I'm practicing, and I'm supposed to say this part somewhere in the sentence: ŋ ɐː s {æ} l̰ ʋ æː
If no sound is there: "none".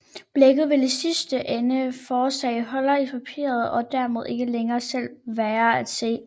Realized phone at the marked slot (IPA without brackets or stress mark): e